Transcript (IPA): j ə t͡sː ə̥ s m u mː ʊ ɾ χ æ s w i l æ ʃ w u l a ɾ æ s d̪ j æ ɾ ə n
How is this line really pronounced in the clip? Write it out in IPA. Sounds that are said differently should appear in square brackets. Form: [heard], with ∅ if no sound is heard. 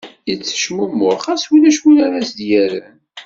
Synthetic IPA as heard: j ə t͡sː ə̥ [ʃ] m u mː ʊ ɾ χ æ s w i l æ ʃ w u l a ɾ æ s d̪ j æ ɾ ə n